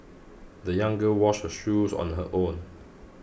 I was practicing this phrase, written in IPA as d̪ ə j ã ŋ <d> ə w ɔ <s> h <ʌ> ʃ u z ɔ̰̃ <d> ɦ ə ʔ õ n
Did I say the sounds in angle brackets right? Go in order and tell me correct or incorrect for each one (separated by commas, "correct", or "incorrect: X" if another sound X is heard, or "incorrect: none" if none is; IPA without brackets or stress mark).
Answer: incorrect: ɡ, incorrect: ʃ, incorrect: ə, incorrect: n